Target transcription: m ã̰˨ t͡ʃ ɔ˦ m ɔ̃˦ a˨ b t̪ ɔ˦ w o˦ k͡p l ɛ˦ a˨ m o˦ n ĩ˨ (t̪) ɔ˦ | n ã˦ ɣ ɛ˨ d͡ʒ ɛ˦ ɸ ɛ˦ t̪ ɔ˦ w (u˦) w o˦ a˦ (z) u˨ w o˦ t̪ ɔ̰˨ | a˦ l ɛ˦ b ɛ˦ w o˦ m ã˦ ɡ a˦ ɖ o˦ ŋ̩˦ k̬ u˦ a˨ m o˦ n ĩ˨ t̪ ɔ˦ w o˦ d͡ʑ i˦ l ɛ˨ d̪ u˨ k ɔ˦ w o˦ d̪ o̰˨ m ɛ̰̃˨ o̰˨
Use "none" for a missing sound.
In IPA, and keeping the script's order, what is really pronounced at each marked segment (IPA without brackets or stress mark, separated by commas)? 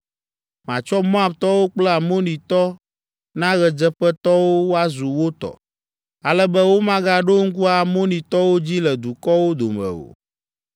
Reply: t̪, o˦, z